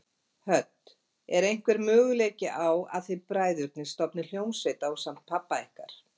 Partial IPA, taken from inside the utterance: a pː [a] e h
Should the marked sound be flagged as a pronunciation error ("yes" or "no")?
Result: no